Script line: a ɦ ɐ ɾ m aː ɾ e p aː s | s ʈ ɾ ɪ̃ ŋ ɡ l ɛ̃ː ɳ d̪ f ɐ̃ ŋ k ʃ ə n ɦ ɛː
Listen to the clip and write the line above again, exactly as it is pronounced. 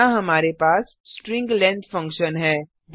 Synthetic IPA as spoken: a ɦ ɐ m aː ɾ e p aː s | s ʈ ɾ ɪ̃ ŋ ɡ l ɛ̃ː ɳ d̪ f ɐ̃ ŋ k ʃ ə n ɦ ɛː